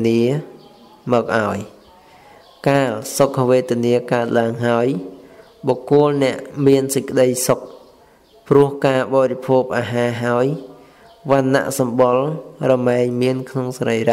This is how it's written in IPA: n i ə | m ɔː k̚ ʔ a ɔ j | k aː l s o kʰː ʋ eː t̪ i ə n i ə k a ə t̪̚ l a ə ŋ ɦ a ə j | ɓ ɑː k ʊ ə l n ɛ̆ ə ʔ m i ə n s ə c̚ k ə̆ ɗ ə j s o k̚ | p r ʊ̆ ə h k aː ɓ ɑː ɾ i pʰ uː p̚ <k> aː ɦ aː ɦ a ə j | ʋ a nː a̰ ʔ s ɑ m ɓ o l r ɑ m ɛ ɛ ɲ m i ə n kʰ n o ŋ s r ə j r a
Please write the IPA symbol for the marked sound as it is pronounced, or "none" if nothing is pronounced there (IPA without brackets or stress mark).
ʔ